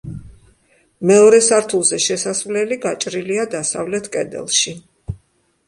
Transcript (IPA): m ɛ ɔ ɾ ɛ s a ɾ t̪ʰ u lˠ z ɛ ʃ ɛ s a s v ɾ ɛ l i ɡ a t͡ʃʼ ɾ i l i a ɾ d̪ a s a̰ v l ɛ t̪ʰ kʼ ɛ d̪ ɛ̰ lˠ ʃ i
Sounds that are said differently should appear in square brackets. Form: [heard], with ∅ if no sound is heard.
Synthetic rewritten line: m ɛ ɔ ɾ ɛ s a ɾ t̪ʰ u lˠ z ɛ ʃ ɛ s a s v [l] ɛ l i ɡ a t͡ʃʼ ɾ i l i a [∅] d̪ a s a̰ v l ɛ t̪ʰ kʼ ɛ d̪ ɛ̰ lˠ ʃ i